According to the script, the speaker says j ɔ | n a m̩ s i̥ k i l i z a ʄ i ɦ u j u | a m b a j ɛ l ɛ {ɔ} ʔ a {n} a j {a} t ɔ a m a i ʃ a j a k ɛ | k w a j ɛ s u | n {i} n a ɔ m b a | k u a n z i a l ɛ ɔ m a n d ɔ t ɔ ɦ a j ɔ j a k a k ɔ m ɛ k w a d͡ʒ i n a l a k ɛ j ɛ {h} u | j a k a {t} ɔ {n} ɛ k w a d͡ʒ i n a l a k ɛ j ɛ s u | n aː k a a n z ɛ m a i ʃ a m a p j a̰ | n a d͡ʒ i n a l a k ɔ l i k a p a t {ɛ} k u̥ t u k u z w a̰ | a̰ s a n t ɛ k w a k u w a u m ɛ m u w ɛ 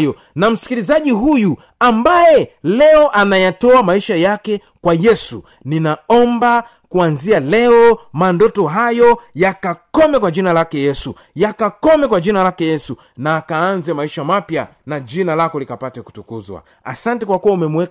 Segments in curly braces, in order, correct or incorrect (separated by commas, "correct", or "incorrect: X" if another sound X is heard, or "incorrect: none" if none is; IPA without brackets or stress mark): correct, correct, correct, correct, incorrect: s, incorrect: k, incorrect: m, correct